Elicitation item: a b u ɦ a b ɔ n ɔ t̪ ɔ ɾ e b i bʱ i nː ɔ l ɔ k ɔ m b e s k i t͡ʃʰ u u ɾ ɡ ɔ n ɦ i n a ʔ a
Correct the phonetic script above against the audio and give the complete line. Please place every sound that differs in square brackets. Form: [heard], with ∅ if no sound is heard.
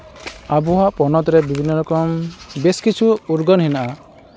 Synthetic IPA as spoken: a b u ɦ a [p] ɔ n ɔ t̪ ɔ ɾ e b i bʱ i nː ɔ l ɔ k ɔ m b e s k i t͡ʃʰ u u ɾ ɡ ɔ n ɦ i n a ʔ a